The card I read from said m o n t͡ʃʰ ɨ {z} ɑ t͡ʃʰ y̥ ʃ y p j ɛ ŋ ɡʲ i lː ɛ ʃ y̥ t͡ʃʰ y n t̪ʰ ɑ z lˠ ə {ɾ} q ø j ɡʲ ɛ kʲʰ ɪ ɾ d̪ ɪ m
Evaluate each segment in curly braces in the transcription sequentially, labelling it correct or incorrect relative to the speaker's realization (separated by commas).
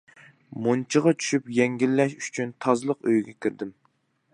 incorrect, incorrect